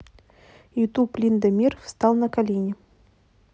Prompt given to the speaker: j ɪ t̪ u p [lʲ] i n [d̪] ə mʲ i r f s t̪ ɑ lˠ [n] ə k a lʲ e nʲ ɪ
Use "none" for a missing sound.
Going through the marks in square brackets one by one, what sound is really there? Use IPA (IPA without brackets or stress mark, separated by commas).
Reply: lʲ, d̪, n